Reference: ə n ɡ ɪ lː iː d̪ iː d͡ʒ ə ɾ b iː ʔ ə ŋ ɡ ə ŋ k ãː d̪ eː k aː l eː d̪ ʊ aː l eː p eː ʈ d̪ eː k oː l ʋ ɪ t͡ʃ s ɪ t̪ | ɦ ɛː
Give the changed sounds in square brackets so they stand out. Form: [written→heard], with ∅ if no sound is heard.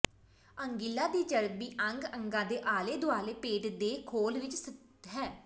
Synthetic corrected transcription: ə [n→ŋ] ɡ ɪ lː [iː→aː] d̪ iː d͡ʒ ə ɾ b iː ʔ ə ŋ ɡ ə ŋ [k→ɡ] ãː d̪ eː [k→ʔ] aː l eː d̪ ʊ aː l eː p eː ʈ d̪ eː [k→kʰ] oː l ʋ ɪ t͡ʃ s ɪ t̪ | ɦ ɛː